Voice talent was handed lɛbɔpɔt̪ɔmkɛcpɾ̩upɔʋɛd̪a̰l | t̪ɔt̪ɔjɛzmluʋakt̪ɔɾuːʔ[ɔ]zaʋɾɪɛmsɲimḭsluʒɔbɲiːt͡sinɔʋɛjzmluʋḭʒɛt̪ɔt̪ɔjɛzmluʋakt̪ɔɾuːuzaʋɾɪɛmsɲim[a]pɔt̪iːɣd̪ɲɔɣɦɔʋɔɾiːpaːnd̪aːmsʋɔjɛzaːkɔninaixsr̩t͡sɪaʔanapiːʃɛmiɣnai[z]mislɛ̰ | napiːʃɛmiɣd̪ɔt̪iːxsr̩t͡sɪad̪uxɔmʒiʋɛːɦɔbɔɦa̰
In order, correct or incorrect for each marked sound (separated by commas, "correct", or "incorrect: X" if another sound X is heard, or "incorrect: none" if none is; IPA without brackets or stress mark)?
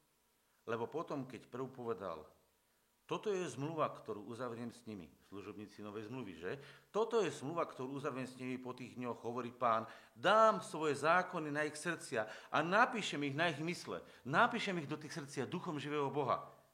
incorrect: u, incorrect: i, incorrect: ɣ